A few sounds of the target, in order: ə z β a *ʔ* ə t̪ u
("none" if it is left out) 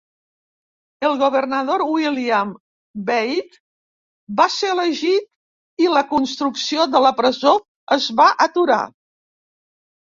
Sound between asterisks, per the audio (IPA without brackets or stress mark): ʔ